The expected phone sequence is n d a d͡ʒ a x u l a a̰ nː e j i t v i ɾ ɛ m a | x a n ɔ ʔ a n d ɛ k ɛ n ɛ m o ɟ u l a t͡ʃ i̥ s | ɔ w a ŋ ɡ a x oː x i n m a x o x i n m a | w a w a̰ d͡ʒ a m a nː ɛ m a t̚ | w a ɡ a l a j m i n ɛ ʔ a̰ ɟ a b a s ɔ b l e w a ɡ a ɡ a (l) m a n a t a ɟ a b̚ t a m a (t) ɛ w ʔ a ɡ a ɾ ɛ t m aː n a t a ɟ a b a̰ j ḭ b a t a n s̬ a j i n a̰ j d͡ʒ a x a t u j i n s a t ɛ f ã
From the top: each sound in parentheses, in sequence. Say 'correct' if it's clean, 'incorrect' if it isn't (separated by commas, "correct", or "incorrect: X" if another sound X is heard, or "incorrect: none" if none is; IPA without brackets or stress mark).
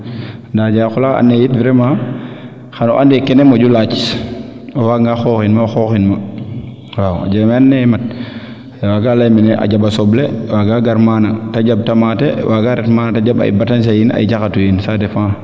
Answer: incorrect: ɾ, correct